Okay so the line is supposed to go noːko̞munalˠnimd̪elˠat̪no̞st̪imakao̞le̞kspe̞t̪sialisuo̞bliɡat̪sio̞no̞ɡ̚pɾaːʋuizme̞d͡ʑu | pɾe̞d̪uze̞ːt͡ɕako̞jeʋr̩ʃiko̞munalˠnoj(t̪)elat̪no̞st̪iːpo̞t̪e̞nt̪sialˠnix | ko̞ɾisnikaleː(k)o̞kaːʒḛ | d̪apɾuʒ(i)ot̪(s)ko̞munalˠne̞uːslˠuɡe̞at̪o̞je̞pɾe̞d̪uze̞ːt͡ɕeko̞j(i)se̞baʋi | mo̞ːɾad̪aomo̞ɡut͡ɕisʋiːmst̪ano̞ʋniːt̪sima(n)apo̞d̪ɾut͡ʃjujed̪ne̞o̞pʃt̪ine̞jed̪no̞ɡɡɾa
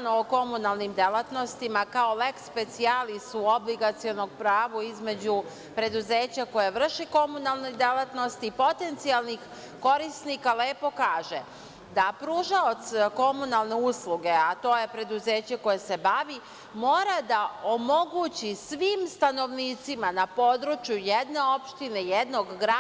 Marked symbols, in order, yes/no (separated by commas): no, no, no, yes, no, yes